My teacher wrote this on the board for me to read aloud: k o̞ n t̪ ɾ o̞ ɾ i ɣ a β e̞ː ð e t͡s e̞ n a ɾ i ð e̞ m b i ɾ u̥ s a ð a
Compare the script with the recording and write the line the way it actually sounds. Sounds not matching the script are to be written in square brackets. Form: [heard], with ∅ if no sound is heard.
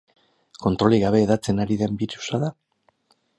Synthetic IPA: k o̞ n t̪ ɾ o̞ [l] i ɣ a β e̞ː ð [a] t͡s e̞ n a ɾ i ð e̞ m b i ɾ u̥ s a ð a